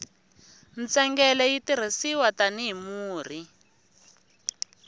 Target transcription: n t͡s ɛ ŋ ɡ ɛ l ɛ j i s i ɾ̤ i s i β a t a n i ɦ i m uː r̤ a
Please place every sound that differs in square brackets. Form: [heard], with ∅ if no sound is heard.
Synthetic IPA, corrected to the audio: n t͡s ɛ ŋ ɡ ɛ l ɛ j i [t] i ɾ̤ i s i [w] a t a n i ɦ i m uː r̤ [i]